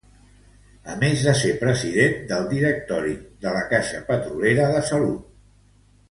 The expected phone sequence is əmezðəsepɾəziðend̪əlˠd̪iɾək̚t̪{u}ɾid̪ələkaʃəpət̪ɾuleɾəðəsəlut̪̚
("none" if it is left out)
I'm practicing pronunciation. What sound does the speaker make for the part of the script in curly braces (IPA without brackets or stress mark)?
ɔ